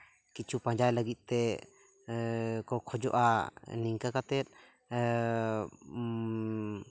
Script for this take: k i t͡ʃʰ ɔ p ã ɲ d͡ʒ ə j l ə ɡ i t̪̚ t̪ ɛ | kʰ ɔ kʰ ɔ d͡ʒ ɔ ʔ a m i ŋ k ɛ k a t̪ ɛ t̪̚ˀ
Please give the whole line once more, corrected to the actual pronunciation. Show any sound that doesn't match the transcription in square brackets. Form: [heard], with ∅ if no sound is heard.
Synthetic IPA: k i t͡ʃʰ [u] p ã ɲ d͡ʒ [a] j l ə ɡ i t̪̚ t̪ ɛ | [k] ɔ kʰ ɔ d͡ʒ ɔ ʔ a [n] i ŋ k [a] k a t̪ ɛ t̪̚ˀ